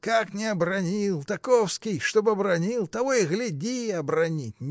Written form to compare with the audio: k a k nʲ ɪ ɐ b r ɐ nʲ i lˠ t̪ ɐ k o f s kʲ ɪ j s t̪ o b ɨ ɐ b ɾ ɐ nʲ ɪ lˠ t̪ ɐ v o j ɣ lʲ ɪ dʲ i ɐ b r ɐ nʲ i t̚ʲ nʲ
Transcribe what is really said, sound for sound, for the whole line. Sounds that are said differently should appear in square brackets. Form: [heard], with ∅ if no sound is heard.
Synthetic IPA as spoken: k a k nʲ ɪ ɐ b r ɐ nʲ i lˠ t̪ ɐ k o f s kʲ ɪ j [ʂ] t̪ o b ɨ ɐ b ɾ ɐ nʲ [i] lˠ t̪ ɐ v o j ɣ lʲ ɪ dʲ i ɐ b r ɐ nʲ i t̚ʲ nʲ